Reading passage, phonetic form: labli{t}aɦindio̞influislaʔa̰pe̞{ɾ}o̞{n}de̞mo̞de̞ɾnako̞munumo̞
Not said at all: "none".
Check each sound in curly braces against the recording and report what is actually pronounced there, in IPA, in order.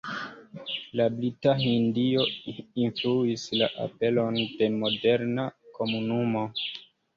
t, l, n

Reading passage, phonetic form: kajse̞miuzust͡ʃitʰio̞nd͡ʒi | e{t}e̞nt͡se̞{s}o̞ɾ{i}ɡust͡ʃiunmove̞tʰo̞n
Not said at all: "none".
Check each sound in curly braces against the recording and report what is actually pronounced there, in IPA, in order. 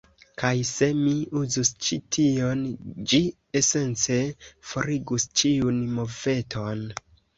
s, f, i

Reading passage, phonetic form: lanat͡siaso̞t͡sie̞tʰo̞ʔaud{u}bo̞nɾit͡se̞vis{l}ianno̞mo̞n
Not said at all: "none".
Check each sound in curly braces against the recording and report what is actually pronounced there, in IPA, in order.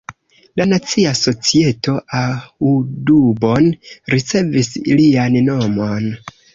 u, l

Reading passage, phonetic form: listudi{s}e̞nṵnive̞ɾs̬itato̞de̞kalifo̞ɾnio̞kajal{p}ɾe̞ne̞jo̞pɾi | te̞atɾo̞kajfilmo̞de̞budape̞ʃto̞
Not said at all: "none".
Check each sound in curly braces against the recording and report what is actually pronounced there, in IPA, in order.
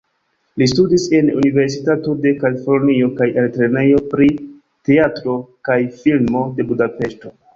s, t

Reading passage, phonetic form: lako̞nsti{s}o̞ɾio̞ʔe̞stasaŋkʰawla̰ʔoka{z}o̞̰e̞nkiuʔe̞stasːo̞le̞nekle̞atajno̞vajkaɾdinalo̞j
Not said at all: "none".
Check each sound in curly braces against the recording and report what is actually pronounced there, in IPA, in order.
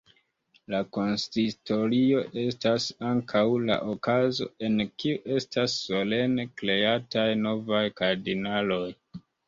t, z

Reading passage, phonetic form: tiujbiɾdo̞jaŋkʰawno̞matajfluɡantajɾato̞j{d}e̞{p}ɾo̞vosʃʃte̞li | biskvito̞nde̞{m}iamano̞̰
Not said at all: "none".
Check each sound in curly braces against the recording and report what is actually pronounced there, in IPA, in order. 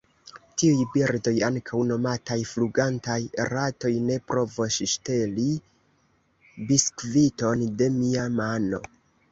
n, p, m

